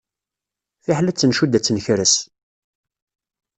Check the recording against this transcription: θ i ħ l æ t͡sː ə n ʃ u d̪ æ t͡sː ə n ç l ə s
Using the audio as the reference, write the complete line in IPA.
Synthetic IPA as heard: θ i ħ l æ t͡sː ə n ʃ u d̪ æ t͡sː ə n ç ɾ ə s